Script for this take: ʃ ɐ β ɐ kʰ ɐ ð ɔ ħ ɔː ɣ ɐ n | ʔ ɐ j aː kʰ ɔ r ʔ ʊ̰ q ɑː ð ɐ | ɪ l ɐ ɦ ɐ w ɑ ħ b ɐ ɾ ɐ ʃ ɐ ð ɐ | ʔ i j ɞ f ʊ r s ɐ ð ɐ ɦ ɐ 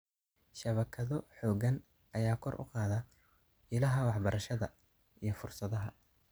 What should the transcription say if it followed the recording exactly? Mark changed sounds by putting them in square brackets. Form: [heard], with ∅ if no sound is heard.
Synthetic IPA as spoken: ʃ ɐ β ɐ kʰ ɐ ð ɔ ħ ɔː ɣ ɐ n | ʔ ɐ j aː kʰ ɔ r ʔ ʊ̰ q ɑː ð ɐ | ɪ l ɐ ɦ ɐ w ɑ ħ b ɐ ɾ ɐ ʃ ɐ ð ɐ | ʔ i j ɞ f ʊ r s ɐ ð ɐ ɦ ɐ